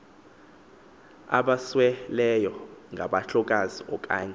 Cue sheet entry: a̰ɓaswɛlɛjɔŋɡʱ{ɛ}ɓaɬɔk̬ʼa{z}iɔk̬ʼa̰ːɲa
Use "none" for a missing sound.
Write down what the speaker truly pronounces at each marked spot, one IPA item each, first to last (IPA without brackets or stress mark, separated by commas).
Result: a, z